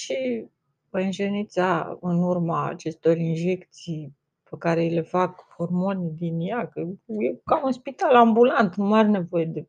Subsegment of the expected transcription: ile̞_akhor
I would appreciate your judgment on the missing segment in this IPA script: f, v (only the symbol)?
f